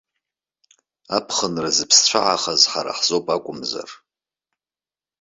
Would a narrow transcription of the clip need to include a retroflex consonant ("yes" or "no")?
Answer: no